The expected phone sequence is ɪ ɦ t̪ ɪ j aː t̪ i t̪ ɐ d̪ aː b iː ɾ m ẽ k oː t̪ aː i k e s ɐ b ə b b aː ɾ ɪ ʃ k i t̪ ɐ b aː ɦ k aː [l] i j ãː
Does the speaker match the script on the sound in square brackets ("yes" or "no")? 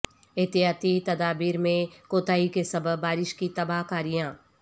no